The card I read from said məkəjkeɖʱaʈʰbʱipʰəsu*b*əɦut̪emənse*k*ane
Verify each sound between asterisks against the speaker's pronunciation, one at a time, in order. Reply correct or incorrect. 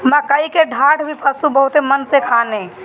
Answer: correct, incorrect

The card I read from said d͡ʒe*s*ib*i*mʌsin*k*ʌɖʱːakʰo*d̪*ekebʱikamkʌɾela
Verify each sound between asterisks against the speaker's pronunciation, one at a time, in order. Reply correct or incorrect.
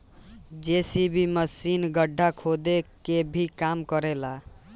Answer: correct, correct, incorrect, correct

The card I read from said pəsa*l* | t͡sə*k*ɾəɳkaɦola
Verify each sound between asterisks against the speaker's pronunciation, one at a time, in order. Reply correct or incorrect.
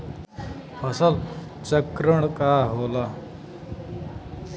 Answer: correct, correct

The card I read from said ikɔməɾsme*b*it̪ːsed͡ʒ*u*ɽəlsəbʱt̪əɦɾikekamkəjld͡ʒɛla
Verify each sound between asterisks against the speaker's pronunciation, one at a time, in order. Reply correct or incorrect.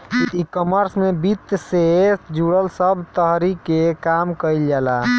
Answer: correct, correct

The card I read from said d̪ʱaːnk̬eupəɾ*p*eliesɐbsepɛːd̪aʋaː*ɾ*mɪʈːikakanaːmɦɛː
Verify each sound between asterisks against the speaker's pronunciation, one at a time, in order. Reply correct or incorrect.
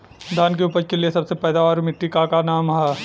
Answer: incorrect, correct

